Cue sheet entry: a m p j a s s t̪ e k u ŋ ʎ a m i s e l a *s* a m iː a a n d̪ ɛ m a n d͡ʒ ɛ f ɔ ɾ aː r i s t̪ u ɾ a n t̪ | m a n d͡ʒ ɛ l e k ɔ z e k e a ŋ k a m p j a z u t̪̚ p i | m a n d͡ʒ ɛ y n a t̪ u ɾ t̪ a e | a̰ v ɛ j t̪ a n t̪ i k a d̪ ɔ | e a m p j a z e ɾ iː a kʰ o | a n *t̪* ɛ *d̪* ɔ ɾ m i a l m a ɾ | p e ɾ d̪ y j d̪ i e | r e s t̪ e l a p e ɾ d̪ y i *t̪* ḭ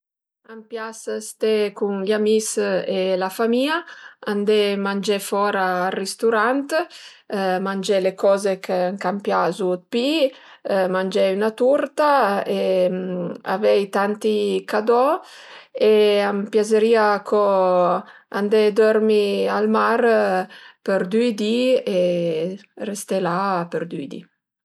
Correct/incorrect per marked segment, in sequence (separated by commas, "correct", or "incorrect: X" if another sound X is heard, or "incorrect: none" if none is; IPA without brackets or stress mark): incorrect: f, incorrect: d̪, correct, incorrect: d̪